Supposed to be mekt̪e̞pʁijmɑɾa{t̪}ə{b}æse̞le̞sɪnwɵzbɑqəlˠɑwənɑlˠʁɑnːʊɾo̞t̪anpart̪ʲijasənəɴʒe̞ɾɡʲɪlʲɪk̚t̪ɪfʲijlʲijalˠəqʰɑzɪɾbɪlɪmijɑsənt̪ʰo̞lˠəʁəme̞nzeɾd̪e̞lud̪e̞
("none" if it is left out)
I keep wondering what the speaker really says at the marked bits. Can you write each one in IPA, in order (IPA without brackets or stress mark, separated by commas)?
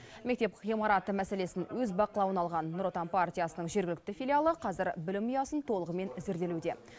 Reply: t̪, m